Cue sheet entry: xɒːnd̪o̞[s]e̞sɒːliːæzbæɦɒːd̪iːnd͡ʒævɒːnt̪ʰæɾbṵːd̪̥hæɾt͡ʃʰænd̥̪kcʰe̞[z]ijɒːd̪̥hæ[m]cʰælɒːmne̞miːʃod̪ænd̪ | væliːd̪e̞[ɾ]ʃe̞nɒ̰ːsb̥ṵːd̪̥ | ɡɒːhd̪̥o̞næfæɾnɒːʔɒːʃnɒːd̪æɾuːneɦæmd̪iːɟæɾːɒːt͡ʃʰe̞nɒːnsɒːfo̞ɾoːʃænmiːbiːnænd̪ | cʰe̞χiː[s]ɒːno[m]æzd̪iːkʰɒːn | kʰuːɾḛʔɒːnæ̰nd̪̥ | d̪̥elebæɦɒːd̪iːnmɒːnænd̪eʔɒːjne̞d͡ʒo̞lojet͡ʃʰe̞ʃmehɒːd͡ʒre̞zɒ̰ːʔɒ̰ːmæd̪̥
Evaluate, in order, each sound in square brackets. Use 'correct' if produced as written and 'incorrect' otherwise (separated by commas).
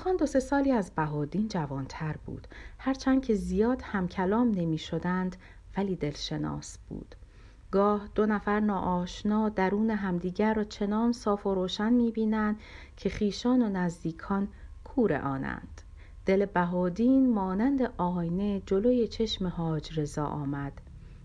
correct, correct, correct, incorrect, incorrect, incorrect